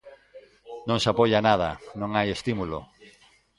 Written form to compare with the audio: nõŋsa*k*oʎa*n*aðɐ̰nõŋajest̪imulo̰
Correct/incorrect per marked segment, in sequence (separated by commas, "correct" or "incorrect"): incorrect, correct